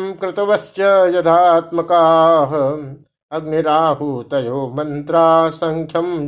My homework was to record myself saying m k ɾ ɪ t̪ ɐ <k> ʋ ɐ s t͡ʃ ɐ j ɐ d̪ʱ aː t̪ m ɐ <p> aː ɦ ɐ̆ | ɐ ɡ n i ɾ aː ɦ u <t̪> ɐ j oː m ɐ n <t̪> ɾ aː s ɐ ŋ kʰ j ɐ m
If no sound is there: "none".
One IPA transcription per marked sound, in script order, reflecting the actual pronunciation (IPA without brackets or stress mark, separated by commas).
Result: none, k, t̪, t̪